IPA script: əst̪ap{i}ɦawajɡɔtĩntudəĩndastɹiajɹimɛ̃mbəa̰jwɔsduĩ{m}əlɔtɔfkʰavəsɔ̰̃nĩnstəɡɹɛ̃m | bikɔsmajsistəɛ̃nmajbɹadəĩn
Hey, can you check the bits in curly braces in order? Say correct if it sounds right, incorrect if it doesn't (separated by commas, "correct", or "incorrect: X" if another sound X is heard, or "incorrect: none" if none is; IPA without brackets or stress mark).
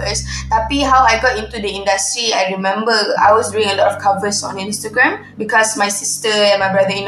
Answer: correct, incorrect: ŋ